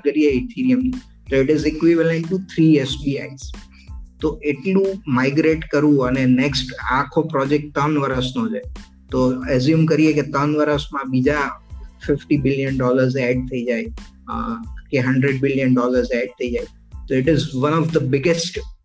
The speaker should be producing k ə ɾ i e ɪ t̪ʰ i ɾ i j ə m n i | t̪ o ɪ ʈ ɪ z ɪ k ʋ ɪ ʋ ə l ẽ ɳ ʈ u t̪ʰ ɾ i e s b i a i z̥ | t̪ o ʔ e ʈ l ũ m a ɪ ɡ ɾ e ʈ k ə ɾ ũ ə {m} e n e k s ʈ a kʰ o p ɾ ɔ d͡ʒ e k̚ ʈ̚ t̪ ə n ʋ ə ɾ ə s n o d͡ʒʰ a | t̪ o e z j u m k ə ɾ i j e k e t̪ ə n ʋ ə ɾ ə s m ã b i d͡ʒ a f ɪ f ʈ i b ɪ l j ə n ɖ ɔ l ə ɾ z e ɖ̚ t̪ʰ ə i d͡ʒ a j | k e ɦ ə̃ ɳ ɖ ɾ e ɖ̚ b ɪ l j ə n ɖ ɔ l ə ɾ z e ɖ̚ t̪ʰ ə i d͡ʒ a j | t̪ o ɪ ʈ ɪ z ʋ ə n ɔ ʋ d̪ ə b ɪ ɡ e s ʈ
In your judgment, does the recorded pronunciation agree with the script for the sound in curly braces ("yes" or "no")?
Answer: no